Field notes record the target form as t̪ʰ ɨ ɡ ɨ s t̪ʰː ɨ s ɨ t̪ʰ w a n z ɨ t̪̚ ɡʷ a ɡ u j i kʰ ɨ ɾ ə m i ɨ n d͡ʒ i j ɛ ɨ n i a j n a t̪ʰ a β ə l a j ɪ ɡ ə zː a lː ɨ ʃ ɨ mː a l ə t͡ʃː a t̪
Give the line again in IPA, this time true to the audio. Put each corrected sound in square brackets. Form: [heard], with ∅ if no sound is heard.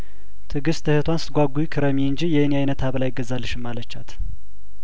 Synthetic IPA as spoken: t̪ʰ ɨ ɡ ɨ s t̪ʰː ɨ [h] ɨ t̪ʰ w a n [s] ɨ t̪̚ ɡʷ a ɡ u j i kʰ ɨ ɾ ə m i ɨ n d͡ʒ i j ɛ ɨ n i a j n [ə] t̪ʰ a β ə l a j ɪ ɡ ə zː a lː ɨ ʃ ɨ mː a l ə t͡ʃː a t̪

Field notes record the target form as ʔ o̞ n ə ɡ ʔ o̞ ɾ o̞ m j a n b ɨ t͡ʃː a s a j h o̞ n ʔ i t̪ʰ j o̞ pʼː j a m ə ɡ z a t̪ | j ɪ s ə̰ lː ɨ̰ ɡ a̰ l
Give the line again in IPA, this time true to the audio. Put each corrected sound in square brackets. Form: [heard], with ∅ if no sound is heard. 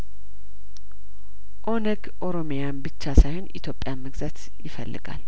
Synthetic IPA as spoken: ʔ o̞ n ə ɡ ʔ o̞ ɾ o̞ m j a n b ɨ t͡ʃː a s a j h o̞ n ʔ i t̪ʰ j o̞ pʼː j a m ə ɡ z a t̪ | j ɪ [f] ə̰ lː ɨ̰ ɡ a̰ l

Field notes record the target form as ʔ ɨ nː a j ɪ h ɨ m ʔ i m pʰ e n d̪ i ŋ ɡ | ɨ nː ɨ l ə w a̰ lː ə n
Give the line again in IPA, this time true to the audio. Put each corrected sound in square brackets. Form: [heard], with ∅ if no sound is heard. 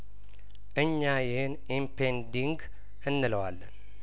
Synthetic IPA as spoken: ʔ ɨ [ɲː] a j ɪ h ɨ [n] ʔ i m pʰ e n d̪ i ŋ ɡ | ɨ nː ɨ l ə w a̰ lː ə n

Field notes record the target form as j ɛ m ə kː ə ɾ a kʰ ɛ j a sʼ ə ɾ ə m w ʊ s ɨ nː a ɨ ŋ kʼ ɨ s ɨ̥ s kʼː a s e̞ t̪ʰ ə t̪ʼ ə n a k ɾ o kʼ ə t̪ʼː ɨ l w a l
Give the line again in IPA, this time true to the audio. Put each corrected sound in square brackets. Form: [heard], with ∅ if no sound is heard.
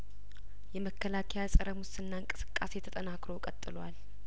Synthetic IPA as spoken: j ɛ m ə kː ə [l] a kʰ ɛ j a sʼ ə ɾ ə m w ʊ s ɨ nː a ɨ ŋ kʼ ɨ s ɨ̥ [∅] kʼː a s e̞ t̪ʰ ə t̪ʼ ə n a k ɾ o kʼ ə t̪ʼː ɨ l w a l

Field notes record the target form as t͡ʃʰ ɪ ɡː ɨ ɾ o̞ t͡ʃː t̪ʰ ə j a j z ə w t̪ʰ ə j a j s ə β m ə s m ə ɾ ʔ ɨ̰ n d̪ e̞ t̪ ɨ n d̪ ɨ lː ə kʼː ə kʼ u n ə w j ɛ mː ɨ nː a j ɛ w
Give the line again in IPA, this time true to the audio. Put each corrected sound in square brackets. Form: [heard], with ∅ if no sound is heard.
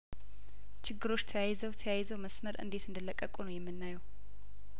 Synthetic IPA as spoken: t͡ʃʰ ɪ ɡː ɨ ɾ o̞ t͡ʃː t̪ʰ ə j a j z ə w t̪ʰ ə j a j [z] ə [w] m ə s m ə ɾ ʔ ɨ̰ n d̪ e̞ t̪ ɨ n d̪ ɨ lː ə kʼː ə kʼ u n ə w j ɛ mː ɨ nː a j ɛ w

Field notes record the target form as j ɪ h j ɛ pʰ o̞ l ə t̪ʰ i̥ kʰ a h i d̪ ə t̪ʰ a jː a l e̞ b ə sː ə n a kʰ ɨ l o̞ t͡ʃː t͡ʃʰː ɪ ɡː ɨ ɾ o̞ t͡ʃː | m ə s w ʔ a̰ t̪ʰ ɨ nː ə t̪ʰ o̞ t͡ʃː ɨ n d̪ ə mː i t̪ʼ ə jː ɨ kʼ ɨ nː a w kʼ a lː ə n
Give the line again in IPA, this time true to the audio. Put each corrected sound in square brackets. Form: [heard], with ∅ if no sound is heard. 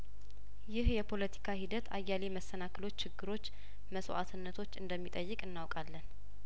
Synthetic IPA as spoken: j ɪ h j ɛ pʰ o̞ l ə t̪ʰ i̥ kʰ a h i d̪ ə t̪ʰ a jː a l e̞ [m] ə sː ə n a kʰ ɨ l o̞ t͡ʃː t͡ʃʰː ɪ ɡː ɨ ɾ o̞ t͡ʃː | m ə s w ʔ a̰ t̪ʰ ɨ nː ə t̪ʰ o̞ t͡ʃː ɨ n d̪ ə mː i t̪ʼ ə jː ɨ kʼ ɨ nː a w kʼ a lː ə n

